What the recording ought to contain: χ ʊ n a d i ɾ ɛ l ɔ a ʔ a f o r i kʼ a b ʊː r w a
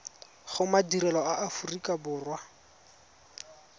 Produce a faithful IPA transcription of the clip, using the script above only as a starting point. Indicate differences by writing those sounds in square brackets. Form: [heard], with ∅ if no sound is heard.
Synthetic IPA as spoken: χ ʊ [m] a d i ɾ ɛ l ɔ a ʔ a f [u] r i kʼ a b ʊː r w a